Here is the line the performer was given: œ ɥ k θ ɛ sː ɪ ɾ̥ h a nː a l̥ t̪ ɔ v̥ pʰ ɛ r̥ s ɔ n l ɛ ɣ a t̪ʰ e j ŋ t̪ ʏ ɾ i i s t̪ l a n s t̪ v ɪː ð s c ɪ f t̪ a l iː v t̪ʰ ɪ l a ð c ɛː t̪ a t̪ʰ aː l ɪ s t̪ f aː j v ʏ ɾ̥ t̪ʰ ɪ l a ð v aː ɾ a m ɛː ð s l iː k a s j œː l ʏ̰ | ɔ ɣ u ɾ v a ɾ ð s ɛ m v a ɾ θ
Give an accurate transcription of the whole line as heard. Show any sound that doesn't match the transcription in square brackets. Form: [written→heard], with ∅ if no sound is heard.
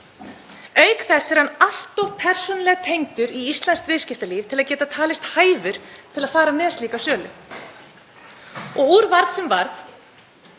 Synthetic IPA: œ ɥ k θ ɛ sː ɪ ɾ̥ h a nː a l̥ t̪ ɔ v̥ pʰ ɛ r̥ s ɔ n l ɛ ɣ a t̪ʰ e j ŋ t̪ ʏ ɾ i i s t̪ l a n s t̪ v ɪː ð s c ɪ f t̪ a l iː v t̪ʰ ɪ l a ð c ɛː t̪ a t̪ʰ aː l ɪ s t̪ [f→h] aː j v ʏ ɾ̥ t̪ʰ ɪ l a ð [v→f] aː ɾ a m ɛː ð s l iː k a s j œː l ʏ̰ | ɔ ɣ u ɾ v a ɾ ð s ɛ m v a ɾ θ

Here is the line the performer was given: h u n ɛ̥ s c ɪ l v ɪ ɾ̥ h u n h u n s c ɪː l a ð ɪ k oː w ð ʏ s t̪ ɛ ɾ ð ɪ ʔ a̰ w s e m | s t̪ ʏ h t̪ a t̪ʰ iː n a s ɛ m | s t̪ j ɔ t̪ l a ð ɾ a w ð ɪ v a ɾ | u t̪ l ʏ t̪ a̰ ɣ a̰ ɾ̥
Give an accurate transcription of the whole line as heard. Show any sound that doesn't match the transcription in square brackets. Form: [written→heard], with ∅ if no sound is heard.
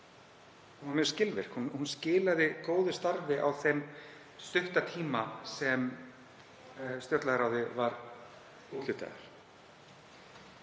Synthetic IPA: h u n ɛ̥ s c ɪ l v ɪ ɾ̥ h u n h u n s c ɪː l a ð ɪ k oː w ð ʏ s t̪ [ɛ→a] ɾ [ð→v] ɪ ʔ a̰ w [s→θ] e m | s t̪ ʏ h t̪ a t̪ʰ iː [n→m] a s ɛ m | s t̪ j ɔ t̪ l a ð ɾ a w ð ɪ v a ɾ | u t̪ l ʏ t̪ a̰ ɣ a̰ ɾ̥

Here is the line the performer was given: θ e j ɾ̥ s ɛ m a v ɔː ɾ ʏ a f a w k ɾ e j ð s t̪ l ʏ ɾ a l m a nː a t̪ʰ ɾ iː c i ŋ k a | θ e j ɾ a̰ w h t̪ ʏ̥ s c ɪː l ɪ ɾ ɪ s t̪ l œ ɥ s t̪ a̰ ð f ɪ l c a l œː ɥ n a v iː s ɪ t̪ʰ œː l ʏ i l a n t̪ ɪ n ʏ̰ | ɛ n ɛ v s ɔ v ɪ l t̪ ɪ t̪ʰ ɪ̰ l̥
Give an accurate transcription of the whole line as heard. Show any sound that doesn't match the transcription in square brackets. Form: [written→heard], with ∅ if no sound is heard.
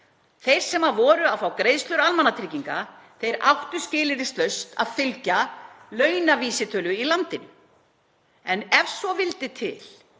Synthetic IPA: θ e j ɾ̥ s ɛ m a v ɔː ɾ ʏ a f a w k ɾ e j ð s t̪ l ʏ ɾ a l m a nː a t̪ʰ ɾ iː c i ŋ k a | θ e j ɾ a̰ w h t̪ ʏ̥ s c ɪː l ɪ ɾ ɪ s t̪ l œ ɥ s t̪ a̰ ð f ɪ l c a l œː ɥ n a v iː s ɪ t̪ʰ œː l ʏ i l a n t̪ ɪ n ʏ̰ | ɛ n ɛ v s ɔ v ɪ l t̪ ɪ t̪ʰ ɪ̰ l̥

